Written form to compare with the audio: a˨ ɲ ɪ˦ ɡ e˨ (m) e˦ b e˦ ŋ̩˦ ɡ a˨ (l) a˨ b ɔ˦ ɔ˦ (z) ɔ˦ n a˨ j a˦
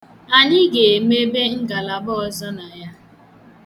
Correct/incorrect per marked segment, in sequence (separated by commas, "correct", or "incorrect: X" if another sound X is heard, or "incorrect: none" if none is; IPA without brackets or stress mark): correct, correct, correct